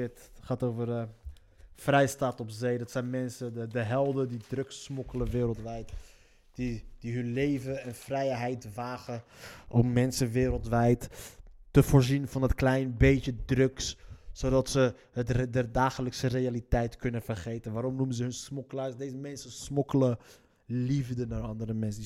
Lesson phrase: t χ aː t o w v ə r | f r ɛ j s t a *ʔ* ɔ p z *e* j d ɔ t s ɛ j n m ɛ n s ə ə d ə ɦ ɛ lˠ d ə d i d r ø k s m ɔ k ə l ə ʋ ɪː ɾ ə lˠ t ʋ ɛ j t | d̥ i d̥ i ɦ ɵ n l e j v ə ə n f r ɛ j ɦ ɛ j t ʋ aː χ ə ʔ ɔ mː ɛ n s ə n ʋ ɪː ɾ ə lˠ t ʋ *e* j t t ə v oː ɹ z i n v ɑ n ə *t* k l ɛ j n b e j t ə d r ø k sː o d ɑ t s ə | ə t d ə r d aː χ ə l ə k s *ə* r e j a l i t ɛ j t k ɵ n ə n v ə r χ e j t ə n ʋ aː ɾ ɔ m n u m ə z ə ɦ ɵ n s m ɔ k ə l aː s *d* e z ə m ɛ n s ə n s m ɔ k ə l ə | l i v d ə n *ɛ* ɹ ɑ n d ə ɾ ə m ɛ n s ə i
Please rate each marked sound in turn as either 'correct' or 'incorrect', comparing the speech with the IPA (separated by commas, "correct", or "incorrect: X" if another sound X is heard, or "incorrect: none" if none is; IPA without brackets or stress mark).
incorrect: t, correct, incorrect: ɛ, correct, correct, correct, incorrect: a